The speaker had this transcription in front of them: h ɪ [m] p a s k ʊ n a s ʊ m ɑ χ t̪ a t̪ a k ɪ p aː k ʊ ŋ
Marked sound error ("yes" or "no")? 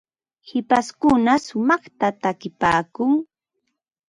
yes